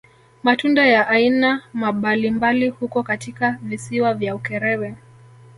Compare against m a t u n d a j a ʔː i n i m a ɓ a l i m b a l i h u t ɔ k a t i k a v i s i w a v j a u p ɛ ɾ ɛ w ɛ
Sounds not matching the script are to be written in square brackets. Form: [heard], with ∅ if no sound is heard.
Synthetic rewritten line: m a t u n d a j a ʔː i n [a] m a ɓ a l i m b a l i h u [k] ɔ k a t i k a v i s i w a v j a u [k] ɛ ɾ ɛ w ɛ